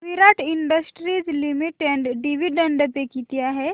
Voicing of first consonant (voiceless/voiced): voiced